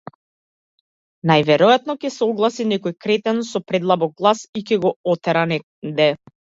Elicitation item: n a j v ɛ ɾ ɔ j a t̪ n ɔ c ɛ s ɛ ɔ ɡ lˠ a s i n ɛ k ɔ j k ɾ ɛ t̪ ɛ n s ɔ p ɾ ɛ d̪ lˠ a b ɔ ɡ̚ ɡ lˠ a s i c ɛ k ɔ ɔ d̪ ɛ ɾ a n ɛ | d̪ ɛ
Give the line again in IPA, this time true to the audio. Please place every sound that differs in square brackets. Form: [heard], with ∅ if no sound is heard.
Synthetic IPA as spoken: n a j v ɛ ɾ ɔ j a t̪ n ɔ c ɛ s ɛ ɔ ɡ lˠ a s i n ɛ k ɔ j k ɾ ɛ t̪ ɛ n s ɔ p ɾ ɛ d̪ lˠ a b ɔ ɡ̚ ɡ lˠ a s i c ɛ [ɡ] ɔ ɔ [t̪] ɛ ɾ a n ɛ | d̪ ɛ